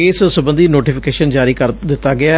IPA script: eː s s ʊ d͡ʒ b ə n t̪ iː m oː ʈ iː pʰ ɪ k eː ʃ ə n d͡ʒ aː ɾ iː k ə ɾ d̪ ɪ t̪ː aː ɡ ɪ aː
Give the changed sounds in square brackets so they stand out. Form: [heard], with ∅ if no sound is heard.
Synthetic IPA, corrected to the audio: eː s s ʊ [∅] b ə n [d̪] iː [n] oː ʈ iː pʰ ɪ k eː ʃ ə n d͡ʒ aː ɾ iː k ə ɾ d̪ ɪ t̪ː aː ɡ ɪ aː

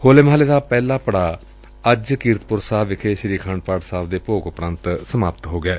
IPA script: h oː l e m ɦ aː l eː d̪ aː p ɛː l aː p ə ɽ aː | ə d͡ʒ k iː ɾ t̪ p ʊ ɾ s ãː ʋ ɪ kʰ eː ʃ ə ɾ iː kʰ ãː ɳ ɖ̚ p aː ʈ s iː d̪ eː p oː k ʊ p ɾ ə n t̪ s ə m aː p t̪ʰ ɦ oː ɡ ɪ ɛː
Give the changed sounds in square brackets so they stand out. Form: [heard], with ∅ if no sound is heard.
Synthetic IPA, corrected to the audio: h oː l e m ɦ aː l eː d̪ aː p ɛː l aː p ə ɽ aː | ə d͡ʒ k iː ɾ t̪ p ʊ ɾ s [aː] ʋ ɪ kʰ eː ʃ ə ɾ iː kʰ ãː ɳ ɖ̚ p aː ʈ s [aː] d̪ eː p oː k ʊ p ɾ ə n t̪ s ə m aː p [t̪] ɦ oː ɡ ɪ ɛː

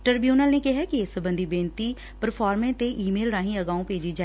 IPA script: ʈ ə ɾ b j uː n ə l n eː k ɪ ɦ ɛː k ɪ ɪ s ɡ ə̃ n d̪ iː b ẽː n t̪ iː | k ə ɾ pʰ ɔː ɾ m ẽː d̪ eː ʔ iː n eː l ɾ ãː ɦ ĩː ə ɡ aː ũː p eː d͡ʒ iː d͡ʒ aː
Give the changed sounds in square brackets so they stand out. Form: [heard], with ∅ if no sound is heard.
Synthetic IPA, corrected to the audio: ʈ ə ɾ b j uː n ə l n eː k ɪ ɦ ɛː k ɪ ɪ s [b] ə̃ n d̪ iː b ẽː n t̪ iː | [p] ə ɾ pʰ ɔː ɾ m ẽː [t̪] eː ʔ iː [m] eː l ɾ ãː ɦ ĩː ə ɡ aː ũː p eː d͡ʒ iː d͡ʒ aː

